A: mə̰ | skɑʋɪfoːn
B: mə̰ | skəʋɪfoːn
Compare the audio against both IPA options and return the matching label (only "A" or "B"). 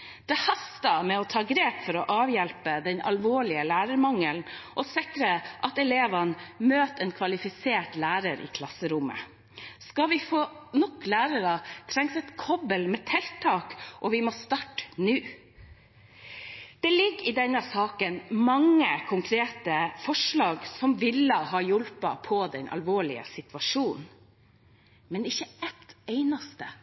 A